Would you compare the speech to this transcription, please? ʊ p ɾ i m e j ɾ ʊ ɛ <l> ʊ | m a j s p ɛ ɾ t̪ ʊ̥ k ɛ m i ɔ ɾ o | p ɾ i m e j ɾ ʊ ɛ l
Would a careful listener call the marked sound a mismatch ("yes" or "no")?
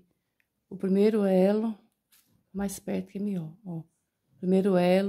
no